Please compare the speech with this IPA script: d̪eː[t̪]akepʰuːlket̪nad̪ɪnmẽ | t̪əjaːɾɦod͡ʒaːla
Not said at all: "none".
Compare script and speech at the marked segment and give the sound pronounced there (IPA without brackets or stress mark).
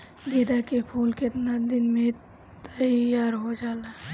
d̪